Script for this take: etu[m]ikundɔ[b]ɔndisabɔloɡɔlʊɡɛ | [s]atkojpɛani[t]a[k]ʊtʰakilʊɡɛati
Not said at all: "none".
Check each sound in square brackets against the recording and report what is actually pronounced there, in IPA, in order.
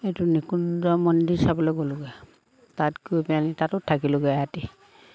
n, m, t, t, t

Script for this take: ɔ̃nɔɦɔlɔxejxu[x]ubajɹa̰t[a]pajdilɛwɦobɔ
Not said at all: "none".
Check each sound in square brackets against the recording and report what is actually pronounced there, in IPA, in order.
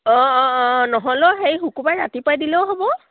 k, i

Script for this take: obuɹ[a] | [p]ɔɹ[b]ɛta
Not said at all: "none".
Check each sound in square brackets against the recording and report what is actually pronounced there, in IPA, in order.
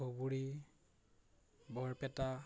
i, b, p

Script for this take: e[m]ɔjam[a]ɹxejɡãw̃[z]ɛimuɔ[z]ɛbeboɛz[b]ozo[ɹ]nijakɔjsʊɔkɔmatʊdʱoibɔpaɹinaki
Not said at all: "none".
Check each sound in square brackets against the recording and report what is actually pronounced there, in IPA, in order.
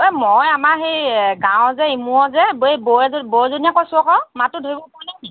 m, a, z, z, b, none

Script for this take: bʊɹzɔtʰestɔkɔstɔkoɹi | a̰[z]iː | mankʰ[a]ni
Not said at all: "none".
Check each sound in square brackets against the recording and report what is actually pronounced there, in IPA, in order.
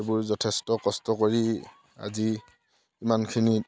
z, i

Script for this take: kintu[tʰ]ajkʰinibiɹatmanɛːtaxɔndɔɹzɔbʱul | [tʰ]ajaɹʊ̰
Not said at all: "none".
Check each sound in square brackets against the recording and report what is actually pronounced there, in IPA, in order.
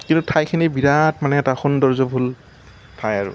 tʰ, tʰ

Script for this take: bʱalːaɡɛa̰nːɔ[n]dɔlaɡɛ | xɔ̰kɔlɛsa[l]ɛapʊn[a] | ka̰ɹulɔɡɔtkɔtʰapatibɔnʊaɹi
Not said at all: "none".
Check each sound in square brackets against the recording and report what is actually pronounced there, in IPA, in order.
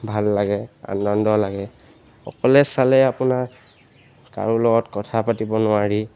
n, l, a

